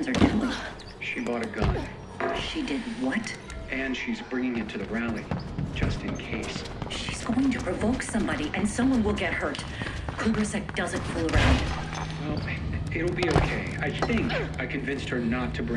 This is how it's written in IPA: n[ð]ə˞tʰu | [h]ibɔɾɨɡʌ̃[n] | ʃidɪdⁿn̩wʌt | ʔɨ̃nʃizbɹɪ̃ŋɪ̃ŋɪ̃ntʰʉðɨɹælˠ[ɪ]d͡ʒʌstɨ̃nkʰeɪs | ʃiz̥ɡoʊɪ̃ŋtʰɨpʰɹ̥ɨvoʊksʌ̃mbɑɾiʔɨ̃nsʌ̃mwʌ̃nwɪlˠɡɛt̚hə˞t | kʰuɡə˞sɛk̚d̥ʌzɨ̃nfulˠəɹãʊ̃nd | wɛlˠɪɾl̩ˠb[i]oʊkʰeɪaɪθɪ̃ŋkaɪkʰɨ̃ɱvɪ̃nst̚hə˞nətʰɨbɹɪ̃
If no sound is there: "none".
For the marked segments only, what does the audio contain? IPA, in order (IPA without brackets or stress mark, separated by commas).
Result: z, ʃ, n, i, i